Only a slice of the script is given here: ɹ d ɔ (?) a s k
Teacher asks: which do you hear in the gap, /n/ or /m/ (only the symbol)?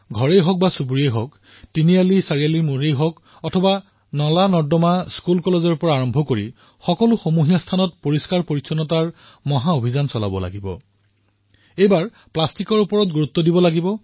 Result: m